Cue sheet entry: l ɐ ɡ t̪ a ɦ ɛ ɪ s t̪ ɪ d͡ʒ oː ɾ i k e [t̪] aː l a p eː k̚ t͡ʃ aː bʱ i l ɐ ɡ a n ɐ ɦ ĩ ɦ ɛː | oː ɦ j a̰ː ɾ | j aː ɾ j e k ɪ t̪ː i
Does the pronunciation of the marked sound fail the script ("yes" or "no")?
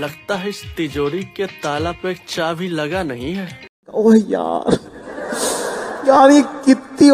no